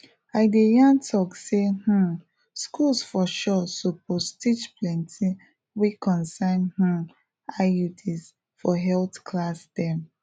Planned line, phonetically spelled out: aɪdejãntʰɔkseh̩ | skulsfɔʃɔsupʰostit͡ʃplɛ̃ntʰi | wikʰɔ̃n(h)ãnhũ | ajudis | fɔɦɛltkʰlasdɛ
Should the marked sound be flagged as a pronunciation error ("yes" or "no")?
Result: yes